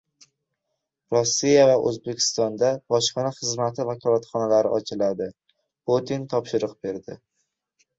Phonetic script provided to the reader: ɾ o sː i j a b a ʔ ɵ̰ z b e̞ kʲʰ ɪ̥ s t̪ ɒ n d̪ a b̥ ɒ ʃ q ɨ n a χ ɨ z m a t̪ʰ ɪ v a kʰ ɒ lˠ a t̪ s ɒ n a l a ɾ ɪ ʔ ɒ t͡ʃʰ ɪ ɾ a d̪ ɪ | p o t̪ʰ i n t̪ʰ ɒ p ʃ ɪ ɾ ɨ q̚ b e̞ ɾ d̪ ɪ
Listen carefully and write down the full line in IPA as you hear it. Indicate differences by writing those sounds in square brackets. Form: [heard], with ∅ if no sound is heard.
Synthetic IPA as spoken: ɾ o sː i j a [v] a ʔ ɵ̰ z b e̞ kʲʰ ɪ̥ s t̪ ɒ n d̪ a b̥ ɒ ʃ q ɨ n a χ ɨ z m a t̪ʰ ɪ v a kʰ ɒ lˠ a t̪ [χ] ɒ n a l a ɾ ɪ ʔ ɒ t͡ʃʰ ɪ [l] a d̪ ɪ | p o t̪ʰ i n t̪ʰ ɒ p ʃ ɪ ɾ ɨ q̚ b e̞ ɾ d̪ ɪ